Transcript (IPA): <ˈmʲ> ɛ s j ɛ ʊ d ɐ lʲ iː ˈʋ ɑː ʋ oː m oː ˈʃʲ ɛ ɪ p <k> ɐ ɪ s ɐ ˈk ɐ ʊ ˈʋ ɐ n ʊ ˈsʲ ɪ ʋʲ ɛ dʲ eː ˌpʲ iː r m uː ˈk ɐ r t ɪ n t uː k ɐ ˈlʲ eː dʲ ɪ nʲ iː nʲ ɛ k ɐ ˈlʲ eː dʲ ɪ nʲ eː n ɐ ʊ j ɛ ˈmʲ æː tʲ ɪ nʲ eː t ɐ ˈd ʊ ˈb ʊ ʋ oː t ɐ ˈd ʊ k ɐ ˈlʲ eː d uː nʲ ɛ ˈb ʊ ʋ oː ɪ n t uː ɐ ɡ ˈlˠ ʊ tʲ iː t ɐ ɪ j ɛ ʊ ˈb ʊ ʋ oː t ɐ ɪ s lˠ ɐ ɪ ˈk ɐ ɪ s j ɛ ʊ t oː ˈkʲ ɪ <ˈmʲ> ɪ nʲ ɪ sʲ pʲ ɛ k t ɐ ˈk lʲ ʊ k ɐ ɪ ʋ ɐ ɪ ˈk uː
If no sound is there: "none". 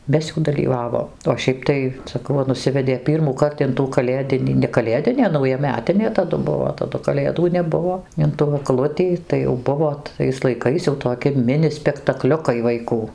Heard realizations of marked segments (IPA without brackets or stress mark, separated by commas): mʲ, t, mʲ